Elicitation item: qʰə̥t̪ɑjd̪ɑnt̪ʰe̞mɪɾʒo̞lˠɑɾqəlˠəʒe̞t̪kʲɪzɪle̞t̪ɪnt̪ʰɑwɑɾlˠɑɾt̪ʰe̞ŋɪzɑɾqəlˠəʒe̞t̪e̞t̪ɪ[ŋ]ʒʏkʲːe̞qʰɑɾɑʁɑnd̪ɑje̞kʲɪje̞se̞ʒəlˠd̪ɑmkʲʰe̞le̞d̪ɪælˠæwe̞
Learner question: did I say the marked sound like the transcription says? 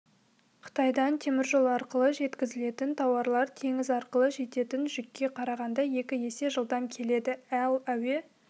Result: no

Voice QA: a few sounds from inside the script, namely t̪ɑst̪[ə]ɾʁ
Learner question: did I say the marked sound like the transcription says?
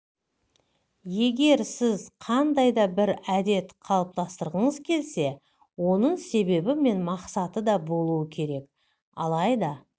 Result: yes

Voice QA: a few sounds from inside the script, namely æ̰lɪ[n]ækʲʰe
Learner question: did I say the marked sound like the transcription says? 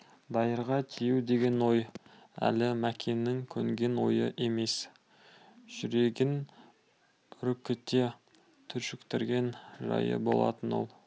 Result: no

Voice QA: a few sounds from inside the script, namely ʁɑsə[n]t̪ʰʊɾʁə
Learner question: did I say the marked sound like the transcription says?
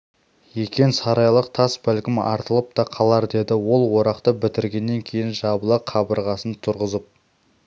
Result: yes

